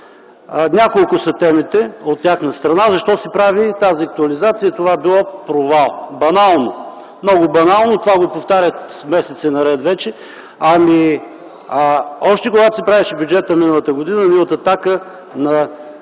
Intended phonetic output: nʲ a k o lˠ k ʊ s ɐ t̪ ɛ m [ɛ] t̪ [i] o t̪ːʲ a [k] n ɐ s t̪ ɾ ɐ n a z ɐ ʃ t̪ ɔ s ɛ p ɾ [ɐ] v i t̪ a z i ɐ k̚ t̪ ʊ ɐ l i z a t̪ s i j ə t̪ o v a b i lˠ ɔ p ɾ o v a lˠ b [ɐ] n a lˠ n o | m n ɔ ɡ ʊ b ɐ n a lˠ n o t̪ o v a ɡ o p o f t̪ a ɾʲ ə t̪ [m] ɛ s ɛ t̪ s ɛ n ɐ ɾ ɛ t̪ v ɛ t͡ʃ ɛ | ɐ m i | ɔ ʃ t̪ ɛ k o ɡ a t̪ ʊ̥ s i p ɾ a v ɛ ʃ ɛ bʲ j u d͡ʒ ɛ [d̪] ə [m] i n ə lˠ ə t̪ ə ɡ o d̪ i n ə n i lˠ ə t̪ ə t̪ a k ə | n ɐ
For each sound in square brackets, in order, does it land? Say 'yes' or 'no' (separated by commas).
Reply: no, no, no, no, yes, yes, no, yes